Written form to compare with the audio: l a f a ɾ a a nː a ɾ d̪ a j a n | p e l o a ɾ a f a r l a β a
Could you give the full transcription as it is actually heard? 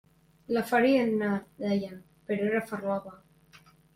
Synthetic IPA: l a f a ɾ i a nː a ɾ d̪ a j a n | p e ɾ o e ɾ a f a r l a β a